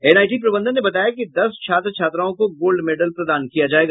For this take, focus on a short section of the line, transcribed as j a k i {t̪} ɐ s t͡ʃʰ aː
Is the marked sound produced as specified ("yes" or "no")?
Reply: no